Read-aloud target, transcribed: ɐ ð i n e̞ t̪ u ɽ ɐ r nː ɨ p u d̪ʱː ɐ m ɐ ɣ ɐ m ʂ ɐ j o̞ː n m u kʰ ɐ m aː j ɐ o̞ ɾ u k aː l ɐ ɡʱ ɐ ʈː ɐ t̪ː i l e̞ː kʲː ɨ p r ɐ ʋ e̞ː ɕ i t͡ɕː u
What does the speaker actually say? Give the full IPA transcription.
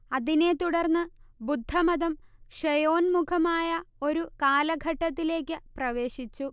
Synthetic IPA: ɐ ð i n e̞ t̪ u ɽ ɐ r nː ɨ b u d̪ʱː ɐ m ɐ ð ɐ m ʂ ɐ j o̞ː n m u kʰ ɐ m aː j ɐ o̞ ɾ u k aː l ɐ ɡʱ ɐ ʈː ɐ t̪ː i l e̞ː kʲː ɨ p r ɐ ʋ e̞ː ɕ i t͡ɕː u